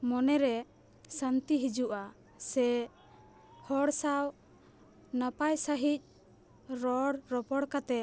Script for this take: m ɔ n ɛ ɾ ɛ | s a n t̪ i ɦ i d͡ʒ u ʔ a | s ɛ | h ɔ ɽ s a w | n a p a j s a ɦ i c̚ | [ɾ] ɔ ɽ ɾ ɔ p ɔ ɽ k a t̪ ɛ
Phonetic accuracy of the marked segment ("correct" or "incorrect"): correct